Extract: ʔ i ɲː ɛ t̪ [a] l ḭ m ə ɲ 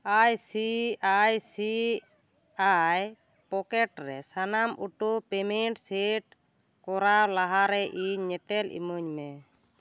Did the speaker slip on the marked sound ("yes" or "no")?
yes